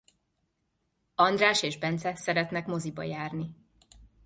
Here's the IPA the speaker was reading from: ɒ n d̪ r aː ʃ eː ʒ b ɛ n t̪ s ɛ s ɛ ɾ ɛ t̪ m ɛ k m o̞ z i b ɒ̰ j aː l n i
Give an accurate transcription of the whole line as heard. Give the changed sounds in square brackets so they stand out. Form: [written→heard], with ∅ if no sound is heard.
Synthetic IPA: ɒ n d̪ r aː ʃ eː ʒ b ɛ n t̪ s ɛ s ɛ ɾ ɛ t̪ [m→n] ɛ k m o̞ z i b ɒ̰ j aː [l→r] n i